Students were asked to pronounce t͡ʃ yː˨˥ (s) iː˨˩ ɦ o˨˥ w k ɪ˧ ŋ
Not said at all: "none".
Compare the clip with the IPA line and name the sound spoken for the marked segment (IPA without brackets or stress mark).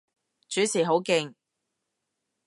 s